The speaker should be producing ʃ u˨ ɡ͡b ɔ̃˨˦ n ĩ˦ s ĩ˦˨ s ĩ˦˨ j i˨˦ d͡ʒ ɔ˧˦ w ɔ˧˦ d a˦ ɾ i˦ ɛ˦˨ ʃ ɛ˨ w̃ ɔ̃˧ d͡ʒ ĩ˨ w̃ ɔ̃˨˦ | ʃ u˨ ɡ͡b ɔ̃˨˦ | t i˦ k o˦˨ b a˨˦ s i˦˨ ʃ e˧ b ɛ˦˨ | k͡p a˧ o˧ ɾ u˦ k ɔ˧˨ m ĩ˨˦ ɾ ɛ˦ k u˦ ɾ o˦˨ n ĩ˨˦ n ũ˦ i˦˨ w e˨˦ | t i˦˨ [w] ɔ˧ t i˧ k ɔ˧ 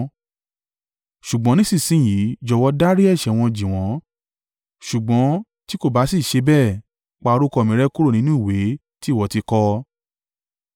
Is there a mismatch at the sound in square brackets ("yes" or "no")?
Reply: no